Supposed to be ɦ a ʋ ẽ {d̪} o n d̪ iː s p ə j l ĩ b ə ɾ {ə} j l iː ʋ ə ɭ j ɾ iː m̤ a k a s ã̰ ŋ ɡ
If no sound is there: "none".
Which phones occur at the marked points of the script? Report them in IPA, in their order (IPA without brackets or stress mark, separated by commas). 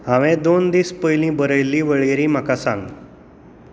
d̪, ə